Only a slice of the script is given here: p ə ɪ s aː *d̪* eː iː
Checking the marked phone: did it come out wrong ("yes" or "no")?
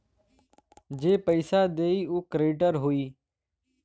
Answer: no